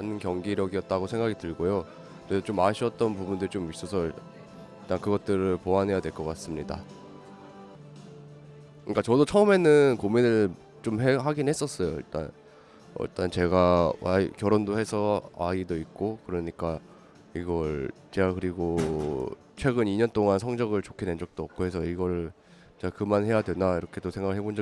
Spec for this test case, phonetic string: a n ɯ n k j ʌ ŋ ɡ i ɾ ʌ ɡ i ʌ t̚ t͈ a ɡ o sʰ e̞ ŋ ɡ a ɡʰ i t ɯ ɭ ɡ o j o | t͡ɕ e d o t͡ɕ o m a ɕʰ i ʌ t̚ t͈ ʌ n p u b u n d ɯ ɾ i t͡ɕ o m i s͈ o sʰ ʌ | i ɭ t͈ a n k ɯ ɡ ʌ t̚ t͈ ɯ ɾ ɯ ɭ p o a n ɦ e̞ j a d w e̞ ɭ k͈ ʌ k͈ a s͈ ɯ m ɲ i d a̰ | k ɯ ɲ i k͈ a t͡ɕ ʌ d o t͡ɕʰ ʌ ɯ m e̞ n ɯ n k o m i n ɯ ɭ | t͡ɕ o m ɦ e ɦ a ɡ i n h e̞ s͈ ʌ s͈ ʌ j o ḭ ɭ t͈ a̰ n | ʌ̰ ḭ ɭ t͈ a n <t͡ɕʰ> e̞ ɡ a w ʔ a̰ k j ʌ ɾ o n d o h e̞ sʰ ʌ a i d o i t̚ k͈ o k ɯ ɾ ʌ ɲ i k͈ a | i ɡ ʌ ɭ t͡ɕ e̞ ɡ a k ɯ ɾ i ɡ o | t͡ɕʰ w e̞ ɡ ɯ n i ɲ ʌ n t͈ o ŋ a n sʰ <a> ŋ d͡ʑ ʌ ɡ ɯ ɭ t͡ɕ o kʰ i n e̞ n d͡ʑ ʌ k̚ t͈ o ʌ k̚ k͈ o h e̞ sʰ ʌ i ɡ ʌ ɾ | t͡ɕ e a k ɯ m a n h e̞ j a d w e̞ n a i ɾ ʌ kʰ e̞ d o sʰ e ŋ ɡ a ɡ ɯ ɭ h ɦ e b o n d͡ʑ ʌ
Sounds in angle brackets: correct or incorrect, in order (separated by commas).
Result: incorrect, incorrect